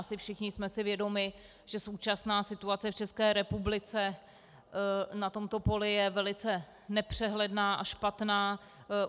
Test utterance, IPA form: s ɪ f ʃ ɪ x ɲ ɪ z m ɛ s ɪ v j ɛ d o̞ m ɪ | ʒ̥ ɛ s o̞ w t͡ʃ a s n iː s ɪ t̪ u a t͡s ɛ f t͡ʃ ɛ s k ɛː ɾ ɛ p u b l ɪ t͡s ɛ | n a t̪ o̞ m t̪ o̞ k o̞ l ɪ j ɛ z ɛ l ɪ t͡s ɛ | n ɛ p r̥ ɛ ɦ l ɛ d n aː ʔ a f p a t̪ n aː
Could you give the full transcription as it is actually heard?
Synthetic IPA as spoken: s ɪ f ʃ ɪ x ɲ ɪ s m ɛ s ɪ v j ɛ d o̞ m ɪ | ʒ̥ ɛ s o̞ w t͡ʃ a s n aː s ɪ t̪ u a t͡s ɛ f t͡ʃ ɛ s k ɛː ɾ ɛ p u b l ɪ t͡s ɛ | n a t̪ o̞ m t̪ o̞ p o̞ l ɪ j ɛ v ɛ l ɪ t͡s ɛ | n ɛ p r̥ ɛ ɦ l ɛ d n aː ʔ a ʃ p a t̪ n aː